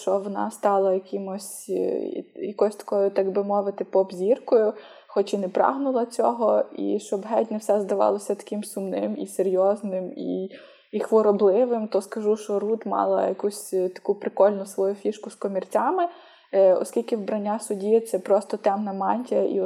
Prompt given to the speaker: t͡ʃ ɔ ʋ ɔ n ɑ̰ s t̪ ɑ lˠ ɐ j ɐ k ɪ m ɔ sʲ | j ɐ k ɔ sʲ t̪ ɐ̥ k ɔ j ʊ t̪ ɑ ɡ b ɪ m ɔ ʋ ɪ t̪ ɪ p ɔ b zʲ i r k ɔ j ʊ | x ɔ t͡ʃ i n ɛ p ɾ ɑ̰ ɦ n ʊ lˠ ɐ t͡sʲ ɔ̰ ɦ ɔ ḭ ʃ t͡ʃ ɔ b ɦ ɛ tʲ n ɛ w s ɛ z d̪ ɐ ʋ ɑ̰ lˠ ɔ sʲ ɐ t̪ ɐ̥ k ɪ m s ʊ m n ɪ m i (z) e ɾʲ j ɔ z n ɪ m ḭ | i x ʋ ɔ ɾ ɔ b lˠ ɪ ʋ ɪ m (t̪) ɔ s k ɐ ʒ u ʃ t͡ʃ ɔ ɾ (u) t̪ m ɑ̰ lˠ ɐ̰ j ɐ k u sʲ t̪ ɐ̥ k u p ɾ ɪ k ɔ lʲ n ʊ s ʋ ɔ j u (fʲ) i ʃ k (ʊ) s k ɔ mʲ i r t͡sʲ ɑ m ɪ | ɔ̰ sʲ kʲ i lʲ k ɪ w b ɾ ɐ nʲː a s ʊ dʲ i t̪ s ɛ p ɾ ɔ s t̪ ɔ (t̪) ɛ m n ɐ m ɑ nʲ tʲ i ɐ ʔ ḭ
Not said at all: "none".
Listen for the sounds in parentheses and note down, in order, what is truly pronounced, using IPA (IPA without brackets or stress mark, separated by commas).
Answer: s, t̪, u, fʲ, ʊ, t̪